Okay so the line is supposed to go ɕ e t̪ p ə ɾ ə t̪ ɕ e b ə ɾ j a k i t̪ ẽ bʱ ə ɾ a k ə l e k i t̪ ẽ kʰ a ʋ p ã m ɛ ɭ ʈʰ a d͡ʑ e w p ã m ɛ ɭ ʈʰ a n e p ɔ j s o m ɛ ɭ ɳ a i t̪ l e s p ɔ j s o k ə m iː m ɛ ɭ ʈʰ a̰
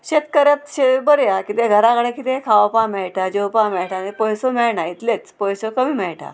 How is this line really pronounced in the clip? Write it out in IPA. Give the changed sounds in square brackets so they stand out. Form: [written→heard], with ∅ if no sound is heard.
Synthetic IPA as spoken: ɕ e t̪ [p→k] ə ɾ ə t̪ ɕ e b ə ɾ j a k i t̪ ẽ [bʱ→ɡʱ] ə ɾ a k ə [l→ɽ] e k i t̪ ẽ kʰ a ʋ p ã m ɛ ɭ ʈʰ a d͡ʑ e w p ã m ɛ ɭ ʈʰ a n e p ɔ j s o m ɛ ɭ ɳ a i t̪ l e [s→t͡s] p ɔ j s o k ə m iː m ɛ ɭ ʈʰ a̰

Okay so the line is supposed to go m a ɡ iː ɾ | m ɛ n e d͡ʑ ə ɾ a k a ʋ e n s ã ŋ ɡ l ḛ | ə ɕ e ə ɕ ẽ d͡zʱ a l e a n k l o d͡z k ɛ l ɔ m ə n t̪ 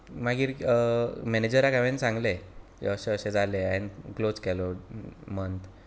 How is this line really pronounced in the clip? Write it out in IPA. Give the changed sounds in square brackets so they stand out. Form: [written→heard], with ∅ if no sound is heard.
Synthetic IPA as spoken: m a ɡ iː ɾ | m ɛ n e d͡ʑ ə ɾ a k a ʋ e n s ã ŋ ɡ l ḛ | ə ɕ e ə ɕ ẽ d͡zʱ a l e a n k l o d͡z k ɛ l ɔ m ə n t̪

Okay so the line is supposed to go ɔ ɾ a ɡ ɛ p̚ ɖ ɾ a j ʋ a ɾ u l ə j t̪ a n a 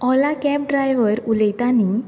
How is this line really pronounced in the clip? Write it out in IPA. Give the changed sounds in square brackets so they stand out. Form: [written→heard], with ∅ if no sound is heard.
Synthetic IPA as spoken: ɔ [ɾ→l] a [ɡ→k] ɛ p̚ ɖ ɾ a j ʋ [a→ə] ɾ u l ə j t̪ a n [a→i]

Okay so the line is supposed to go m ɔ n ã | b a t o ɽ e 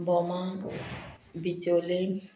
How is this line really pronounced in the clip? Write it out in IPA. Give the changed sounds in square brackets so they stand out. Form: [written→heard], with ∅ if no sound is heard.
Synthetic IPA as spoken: [m→b] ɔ [n→m] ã | b [a→i] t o [ɽ→l] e

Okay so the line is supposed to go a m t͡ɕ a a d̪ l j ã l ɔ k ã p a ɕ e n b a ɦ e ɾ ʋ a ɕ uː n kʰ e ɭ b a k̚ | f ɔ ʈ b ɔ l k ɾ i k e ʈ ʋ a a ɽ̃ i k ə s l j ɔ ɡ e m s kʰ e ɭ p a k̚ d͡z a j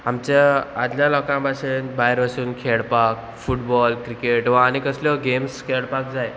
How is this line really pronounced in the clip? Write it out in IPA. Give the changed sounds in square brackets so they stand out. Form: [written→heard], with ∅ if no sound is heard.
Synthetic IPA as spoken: a m t͡ɕ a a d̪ l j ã l ɔ k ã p a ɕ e n b a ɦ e ɾ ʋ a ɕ uː n kʰ e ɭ [b→p] a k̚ | f [ɔ→u] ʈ b ɔ l k ɾ i k e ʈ ʋ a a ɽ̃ i k ə s l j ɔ ɡ e m s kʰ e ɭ p a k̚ d͡z a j

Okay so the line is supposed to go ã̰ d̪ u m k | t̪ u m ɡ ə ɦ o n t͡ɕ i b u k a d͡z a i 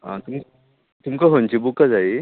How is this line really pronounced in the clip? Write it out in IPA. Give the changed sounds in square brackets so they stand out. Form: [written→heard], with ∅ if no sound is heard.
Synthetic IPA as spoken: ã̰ [d̪→t̪] u m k | t̪ u m [ɡ→k] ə ɦ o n t͡ɕ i b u k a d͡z a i

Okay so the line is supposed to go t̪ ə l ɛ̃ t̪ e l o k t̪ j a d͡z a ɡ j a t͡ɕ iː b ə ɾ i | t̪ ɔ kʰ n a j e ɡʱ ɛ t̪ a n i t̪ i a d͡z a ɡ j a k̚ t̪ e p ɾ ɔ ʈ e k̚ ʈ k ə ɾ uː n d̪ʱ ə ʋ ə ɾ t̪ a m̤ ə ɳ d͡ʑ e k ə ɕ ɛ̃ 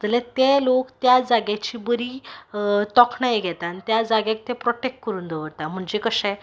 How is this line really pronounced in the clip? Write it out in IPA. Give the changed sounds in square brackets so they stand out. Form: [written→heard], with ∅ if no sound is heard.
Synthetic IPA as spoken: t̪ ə l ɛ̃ t̪ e l o k t̪ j a d͡z a ɡ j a t͡ɕ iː b ə ɾ i | t̪ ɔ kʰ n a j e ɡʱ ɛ t̪ a n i t̪ [i→j] a d͡z a ɡ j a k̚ t̪ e p ɾ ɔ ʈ e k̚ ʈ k ə ɾ uː n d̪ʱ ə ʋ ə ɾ t̪ a m̤ ə ɳ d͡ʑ e k ə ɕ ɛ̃

